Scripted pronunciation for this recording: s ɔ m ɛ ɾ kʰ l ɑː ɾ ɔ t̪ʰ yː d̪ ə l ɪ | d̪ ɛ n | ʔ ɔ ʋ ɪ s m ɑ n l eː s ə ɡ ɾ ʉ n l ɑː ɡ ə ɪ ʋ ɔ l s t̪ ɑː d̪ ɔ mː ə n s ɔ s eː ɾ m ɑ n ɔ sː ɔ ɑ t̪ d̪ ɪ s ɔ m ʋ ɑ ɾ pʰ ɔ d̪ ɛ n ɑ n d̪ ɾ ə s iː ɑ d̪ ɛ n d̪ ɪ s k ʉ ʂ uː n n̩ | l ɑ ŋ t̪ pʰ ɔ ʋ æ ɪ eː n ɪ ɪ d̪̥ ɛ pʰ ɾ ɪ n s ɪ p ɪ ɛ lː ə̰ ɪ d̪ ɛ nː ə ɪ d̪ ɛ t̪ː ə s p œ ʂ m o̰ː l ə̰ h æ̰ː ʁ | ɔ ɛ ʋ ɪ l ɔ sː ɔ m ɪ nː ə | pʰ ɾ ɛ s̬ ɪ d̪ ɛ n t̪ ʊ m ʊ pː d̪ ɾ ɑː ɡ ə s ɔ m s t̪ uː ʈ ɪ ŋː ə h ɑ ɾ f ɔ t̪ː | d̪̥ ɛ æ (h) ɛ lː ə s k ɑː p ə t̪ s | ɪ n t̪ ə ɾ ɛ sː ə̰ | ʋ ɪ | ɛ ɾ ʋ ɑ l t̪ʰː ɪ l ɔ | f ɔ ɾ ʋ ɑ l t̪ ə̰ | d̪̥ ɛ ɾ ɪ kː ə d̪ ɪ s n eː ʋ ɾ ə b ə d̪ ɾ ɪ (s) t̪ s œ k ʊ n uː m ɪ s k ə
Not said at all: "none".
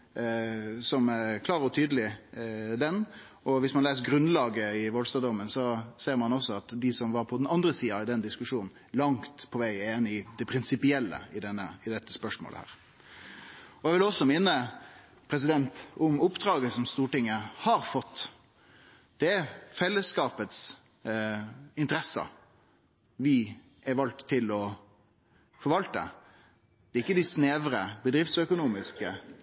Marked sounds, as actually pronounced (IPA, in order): f, f

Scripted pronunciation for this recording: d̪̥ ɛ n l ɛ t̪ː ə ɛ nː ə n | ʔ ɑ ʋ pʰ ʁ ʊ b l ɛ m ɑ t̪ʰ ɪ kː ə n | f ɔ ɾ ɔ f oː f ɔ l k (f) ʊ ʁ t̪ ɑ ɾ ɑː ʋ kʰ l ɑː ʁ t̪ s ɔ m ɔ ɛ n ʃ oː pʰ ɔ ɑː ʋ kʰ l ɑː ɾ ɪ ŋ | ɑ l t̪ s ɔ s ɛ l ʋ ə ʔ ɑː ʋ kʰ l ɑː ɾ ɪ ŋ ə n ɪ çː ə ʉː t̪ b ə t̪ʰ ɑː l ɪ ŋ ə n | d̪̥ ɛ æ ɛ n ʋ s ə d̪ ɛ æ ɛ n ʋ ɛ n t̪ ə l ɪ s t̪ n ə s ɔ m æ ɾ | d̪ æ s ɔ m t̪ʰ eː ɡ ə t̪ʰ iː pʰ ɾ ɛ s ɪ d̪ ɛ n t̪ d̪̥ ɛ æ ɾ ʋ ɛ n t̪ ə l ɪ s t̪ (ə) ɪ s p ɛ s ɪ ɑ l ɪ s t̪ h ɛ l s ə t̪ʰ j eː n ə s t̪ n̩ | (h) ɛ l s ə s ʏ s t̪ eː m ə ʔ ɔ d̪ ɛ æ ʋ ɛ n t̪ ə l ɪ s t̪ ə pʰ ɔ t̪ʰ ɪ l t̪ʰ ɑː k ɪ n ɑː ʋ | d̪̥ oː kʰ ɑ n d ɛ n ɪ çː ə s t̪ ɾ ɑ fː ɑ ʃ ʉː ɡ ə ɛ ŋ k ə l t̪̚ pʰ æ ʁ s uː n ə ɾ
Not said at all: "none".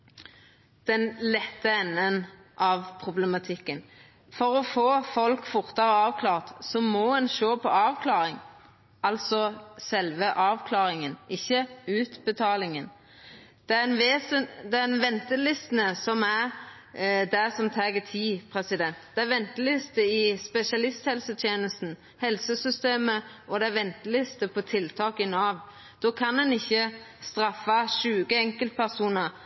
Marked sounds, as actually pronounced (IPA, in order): f, ə, h

